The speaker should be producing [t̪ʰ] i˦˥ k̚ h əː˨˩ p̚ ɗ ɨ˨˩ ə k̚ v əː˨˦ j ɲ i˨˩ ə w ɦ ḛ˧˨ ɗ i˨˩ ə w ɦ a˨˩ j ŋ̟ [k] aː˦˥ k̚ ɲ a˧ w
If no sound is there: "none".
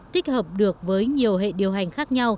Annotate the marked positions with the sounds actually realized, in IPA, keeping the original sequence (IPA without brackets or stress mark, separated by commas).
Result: t̪, x